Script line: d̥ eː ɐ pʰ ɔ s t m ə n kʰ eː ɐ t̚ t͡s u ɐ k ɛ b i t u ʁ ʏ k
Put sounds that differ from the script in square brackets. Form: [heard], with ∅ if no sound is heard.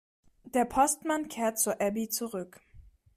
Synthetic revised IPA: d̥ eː ɐ pʰ ɔ s t m [a] n kʰ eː ɐ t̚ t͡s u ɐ [ʔ] ɛ b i [t͡s] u ʁ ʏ k